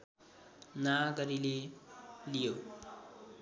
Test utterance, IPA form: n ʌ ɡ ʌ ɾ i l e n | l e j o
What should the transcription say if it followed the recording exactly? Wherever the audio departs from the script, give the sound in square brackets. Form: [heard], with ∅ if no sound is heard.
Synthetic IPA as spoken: n [a] ɡ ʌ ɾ i l e [∅] | l [i] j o